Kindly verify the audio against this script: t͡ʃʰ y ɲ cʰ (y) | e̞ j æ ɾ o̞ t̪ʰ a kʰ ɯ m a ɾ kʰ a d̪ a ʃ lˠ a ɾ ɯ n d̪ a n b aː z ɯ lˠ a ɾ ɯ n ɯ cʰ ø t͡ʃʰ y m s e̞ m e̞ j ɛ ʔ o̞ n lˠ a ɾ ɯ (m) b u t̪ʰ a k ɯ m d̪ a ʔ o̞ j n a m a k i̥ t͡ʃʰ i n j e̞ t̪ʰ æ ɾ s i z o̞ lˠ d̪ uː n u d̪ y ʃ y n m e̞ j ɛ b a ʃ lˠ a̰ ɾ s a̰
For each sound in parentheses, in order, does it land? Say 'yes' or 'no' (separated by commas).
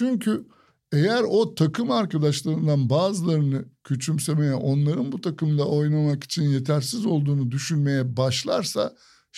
yes, no